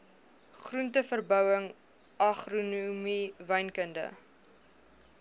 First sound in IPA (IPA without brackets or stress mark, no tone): χ